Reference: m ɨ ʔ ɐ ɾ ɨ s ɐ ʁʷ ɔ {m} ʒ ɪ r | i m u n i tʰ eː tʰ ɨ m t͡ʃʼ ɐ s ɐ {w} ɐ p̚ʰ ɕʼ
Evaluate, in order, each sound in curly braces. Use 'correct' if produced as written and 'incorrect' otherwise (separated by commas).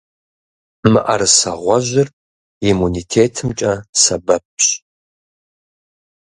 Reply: incorrect, incorrect